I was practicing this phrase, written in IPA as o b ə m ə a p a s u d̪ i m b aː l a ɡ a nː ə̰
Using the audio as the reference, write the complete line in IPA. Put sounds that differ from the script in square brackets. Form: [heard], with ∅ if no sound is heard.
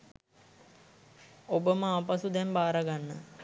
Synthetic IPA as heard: o b ə m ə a p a s u d̪ [ɛ] m b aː [ɾ] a ɡ a nː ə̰